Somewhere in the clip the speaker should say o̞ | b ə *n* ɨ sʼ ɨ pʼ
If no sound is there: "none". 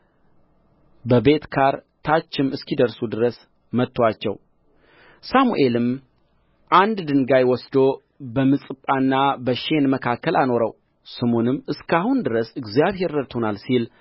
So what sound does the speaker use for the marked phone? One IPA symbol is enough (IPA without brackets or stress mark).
m